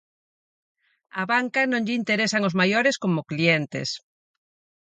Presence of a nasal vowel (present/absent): present